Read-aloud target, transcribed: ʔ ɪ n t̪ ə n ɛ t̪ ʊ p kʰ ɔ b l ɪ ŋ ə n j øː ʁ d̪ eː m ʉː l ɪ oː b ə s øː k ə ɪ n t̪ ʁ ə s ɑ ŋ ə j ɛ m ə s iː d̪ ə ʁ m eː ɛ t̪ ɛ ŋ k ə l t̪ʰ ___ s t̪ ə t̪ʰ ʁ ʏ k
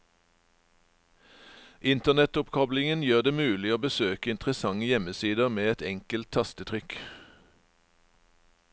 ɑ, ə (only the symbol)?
ɑ